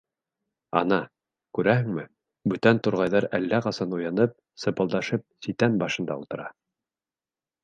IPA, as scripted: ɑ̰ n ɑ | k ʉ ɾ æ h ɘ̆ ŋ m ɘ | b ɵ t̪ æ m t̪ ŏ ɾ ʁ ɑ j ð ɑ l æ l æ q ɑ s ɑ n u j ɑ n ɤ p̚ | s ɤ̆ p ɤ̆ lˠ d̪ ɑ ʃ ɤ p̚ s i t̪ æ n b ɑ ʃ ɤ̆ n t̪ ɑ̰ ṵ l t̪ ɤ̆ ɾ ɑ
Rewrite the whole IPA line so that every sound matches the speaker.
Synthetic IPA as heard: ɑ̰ n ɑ | k ʉ ɾ æ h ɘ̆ ŋ m ɘ | b ɵ t̪ æ n t̪ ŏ ɾ ʁ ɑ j ð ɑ ɾ æ lː æ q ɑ s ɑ n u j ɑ n ɤ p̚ | s ɤ̆ p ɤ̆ lˠ d̪ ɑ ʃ ɤ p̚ s i t̪ æ n b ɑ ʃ ɤ̆ n d̪ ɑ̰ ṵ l t̪ ɤ̆ ɾ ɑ